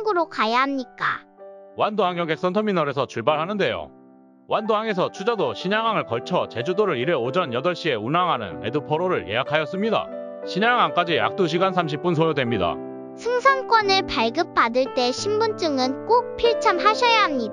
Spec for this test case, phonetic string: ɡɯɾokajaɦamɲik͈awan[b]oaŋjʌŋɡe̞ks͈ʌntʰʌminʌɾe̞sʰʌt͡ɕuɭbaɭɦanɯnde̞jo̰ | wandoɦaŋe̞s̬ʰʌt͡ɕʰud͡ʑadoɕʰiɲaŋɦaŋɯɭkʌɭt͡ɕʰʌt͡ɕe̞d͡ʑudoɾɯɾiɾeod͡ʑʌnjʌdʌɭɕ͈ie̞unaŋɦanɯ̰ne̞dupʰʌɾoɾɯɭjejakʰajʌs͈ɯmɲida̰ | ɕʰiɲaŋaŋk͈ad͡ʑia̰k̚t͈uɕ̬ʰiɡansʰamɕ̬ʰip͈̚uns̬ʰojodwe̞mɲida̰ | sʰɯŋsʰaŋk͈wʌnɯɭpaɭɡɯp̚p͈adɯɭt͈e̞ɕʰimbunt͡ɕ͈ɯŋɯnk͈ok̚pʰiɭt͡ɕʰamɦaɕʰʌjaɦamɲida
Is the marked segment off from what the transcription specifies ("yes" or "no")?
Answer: yes